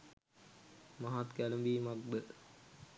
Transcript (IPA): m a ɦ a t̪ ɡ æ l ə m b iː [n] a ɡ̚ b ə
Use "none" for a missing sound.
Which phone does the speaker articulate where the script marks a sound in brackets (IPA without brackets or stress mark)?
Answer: m